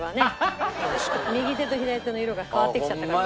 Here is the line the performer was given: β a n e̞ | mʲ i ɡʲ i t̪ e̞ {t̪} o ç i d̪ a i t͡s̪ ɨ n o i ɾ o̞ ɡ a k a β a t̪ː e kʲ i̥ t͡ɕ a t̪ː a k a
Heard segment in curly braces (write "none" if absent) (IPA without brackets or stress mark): t̪